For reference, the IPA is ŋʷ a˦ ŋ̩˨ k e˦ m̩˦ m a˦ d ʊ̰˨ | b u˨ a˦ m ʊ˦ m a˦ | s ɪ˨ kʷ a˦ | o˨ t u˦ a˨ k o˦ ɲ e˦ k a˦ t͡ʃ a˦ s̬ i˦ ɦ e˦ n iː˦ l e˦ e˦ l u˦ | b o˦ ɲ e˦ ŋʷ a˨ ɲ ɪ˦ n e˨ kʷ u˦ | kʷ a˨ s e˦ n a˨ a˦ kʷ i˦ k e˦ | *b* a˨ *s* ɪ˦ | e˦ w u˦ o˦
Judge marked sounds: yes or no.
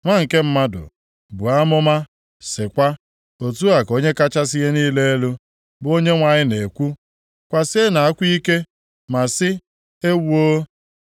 no, yes

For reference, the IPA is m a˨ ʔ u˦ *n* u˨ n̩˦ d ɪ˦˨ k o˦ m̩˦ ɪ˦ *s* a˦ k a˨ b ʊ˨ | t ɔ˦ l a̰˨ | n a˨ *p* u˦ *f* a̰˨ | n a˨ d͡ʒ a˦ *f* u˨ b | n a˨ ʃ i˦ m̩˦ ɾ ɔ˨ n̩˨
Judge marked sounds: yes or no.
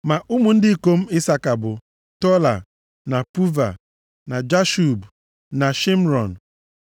no, yes, yes, no, no

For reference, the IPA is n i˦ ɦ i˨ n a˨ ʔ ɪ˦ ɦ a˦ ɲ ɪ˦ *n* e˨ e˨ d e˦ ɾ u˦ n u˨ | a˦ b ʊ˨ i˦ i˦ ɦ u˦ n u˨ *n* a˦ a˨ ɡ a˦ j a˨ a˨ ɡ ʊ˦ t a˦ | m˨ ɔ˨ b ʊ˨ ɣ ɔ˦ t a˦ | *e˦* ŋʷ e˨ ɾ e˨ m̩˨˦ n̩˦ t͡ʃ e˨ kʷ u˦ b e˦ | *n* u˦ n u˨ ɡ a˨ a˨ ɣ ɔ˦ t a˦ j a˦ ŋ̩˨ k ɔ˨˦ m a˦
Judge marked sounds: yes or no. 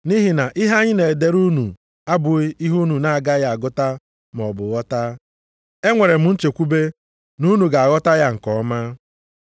yes, yes, yes, yes

